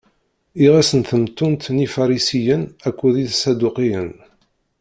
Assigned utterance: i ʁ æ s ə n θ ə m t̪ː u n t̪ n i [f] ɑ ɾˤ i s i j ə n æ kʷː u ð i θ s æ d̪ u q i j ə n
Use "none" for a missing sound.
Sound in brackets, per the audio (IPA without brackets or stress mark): f